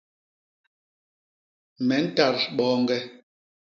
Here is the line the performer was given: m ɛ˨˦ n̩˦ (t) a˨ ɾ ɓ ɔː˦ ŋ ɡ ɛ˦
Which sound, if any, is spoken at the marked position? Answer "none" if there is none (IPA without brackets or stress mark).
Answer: t